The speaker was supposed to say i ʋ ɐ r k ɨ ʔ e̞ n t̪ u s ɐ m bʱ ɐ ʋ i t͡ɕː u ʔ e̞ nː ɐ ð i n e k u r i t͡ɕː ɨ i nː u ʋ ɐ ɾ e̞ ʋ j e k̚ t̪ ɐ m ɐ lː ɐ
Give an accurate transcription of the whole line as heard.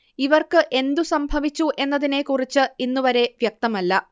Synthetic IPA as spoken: i ʋ ɐ r k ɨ ʔ e̞ n d̪ u s ɐ m bʱ ɐ ʋ i t͡ɕː u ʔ e̞ nː ɐ ð i n e k u r i t͡ɕː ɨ i nː u ʋ ɐ ɾ e̞ ʋ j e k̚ t̪ ɐ m ɐ lː ɐ